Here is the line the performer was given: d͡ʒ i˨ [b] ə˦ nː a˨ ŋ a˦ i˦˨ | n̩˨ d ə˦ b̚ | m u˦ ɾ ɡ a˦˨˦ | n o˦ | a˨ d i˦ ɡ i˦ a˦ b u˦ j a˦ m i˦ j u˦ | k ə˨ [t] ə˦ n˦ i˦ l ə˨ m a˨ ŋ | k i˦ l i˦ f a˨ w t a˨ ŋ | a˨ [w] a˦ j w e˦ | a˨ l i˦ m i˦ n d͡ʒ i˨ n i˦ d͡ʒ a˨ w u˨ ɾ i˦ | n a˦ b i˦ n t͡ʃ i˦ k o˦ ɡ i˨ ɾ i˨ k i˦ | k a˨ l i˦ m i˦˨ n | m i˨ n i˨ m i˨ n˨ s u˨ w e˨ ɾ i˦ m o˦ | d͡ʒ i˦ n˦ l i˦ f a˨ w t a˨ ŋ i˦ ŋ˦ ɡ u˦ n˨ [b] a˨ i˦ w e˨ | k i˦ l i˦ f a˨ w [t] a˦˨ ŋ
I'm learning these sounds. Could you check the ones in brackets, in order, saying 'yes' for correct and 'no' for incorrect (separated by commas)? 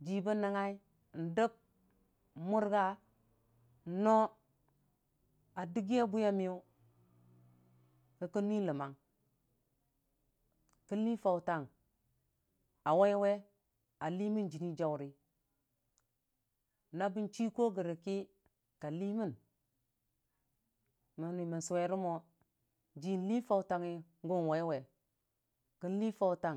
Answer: yes, no, yes, no, yes